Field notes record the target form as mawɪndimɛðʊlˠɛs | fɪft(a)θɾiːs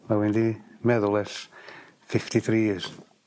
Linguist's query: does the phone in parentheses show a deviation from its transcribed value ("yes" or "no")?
yes